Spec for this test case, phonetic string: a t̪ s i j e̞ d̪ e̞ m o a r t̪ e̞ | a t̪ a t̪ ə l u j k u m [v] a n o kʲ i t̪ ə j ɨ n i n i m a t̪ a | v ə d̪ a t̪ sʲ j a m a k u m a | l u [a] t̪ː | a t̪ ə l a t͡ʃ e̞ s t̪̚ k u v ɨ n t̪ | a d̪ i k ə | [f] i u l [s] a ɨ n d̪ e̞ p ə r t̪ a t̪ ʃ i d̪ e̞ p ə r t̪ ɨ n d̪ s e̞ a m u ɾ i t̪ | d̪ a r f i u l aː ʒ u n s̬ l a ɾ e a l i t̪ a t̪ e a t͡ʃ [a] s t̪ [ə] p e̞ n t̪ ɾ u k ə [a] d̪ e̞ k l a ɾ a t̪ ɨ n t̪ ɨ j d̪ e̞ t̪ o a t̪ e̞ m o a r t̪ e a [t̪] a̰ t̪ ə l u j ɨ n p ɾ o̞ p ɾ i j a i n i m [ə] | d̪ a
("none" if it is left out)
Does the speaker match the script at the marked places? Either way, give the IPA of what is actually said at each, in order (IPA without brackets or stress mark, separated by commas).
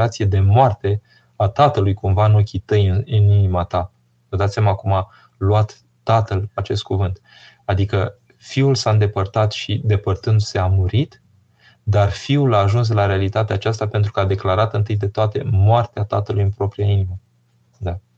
v, a, f, s, a, a, a, t̪, ə